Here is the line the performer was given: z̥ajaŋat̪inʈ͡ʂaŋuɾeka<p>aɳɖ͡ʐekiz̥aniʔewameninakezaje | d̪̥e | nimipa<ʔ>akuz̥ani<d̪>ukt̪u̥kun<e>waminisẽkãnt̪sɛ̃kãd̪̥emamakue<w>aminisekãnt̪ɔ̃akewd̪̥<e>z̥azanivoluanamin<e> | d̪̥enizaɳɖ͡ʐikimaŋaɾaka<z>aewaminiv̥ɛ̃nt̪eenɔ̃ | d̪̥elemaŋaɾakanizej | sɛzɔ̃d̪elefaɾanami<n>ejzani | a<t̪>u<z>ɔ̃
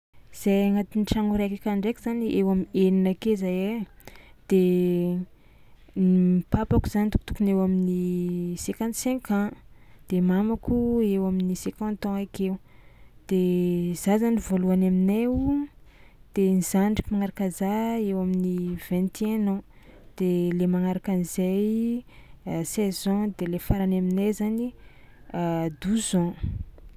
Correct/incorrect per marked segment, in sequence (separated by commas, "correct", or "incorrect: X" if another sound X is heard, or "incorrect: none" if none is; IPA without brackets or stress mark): incorrect: k, incorrect: p, incorrect: t̪, correct, correct, correct, correct, correct, correct, incorrect: d̪, correct